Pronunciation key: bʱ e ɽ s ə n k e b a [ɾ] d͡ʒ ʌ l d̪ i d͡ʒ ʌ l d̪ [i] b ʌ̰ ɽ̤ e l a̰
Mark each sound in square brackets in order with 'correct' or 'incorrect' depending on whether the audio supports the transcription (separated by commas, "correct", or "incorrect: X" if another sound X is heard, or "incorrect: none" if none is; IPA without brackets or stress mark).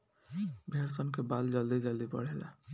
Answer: incorrect: l, correct